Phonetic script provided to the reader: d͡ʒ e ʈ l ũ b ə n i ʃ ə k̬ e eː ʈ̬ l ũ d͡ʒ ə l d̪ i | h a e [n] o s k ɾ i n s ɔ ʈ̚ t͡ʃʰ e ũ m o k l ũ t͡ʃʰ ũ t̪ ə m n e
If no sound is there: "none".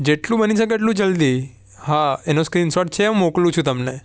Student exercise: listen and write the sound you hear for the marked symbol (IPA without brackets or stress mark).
n